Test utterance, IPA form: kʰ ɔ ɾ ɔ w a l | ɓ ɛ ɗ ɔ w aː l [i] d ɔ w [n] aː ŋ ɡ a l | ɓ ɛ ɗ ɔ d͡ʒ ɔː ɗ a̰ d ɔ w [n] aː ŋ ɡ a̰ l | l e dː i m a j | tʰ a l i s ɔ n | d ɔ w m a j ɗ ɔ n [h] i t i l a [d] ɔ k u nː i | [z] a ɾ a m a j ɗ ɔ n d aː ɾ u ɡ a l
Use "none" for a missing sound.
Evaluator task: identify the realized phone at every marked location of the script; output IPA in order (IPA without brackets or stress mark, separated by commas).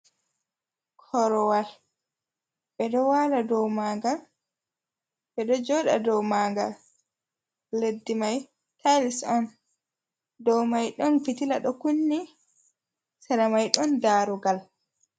a, m, m, f, ɗ, s